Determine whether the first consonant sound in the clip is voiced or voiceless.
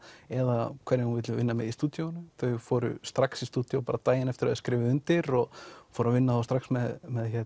voiced